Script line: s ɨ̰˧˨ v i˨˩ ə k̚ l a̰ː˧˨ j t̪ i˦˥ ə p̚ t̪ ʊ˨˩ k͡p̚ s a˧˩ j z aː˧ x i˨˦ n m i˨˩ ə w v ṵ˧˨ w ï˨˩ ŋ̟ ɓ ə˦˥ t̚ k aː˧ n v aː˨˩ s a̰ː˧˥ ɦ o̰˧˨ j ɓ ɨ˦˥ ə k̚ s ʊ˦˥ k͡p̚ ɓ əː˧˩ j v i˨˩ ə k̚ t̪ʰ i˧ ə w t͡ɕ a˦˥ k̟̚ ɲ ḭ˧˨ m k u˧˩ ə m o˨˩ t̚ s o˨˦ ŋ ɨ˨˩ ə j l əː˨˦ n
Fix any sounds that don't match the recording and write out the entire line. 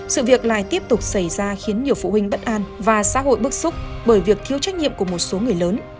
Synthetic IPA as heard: s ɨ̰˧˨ v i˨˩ ə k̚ l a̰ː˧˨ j t̪ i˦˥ ə p̚ t̪ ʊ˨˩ k͡p̚ s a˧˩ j z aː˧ x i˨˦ n ɲ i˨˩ ə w f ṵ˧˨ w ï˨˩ ŋ̟ ɓ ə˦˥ t̚ ʔ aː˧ n v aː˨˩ s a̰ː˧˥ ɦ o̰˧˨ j ɓ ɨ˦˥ ə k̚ s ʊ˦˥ k͡p̚ ɓ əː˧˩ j v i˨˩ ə k̚ t̪ʰ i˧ ə w t͡ɕ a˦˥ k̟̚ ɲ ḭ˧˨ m k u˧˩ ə m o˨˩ t̚ s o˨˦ ŋ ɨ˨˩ ə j l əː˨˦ n